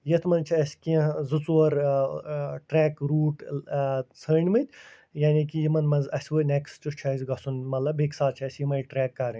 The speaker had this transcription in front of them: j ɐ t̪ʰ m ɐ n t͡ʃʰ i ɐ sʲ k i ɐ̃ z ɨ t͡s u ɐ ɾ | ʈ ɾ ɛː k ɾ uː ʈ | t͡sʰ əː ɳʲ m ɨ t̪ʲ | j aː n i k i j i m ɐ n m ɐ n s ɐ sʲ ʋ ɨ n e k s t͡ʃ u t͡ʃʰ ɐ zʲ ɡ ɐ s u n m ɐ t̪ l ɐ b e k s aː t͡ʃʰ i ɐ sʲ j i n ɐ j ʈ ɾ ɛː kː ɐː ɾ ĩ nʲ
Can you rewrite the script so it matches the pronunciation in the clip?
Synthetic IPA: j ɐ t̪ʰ m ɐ n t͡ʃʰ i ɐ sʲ k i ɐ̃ z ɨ t͡s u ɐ ɾ | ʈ ɾ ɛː k ɾ uː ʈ | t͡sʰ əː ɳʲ m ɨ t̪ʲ | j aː n i k i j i m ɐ n m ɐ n z ɐ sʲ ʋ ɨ n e k s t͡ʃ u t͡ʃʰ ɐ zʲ ɡ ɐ s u n m ɐ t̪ l ɐ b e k s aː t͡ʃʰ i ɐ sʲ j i m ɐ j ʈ ɾ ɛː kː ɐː ɾ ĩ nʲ